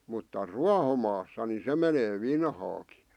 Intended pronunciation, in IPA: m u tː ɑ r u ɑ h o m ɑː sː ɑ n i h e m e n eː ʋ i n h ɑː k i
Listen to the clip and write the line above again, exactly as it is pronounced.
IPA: m u tː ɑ r u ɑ h o m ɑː sː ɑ n i s e m e n eː ʋ i n h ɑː k i